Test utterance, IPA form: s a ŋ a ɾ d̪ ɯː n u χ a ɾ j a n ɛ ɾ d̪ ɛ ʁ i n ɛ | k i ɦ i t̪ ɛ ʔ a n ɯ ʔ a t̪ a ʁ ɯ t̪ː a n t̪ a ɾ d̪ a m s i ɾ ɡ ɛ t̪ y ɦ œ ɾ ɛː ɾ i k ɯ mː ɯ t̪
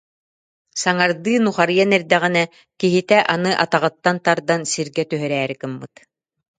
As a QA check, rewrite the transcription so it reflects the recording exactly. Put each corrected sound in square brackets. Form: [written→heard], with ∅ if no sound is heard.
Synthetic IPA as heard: s a ŋ a ɾ d̪ ɯː n u χ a ɾ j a n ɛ ɾ d̪ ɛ ʁ i n ɛ | k i ɦ i t̪ ɛ ʔ a n ɯ ʔ a t̪ a ʁ ɯ t̪ː a n t̪ a ɾ d̪ a [m→n] s i ɾ ɡ ɛ t̪ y ɦ œ ɾ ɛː ɾ i k ɯ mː ɯ t̪